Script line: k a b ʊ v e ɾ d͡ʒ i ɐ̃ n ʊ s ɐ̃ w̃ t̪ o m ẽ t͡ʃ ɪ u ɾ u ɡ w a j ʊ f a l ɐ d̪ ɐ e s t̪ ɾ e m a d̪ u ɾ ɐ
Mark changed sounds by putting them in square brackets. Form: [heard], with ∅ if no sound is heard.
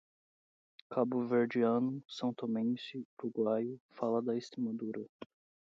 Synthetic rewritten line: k a b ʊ v e ɾ d͡ʒ i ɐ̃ n ʊ s ɐ̃ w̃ t̪ o m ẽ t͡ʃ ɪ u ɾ u ɡ w a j ʊ f a l ɐ d̪ ɐ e s t̪ ɾ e m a d̪ u ɾ ɐ